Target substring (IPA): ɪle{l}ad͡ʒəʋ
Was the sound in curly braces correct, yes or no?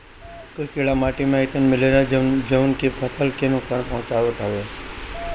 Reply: no